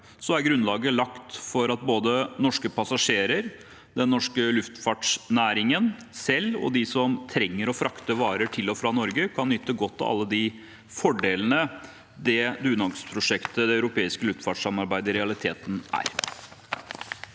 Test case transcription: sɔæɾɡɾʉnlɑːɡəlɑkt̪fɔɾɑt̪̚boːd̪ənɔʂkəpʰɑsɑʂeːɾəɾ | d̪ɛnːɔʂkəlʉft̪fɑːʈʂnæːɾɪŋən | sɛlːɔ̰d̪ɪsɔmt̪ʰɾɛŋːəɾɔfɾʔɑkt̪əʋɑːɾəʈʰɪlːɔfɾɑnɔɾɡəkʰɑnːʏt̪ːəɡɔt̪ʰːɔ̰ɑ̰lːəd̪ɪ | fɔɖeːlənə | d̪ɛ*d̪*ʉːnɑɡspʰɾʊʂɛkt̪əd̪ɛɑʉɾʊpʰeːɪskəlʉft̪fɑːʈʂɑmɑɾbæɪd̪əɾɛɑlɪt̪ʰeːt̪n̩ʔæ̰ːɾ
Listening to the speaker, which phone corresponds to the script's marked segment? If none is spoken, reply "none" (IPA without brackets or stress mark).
d̪